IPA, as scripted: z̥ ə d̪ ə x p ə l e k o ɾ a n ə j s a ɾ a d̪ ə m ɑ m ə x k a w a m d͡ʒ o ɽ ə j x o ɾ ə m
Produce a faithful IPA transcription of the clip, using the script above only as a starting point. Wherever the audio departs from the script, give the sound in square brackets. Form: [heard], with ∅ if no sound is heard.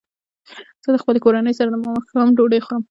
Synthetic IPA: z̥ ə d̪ ə x p ə l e k o ɾ a n ə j s a ɾ a d̪ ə m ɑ m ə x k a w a m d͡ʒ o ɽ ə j x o ɾ ə m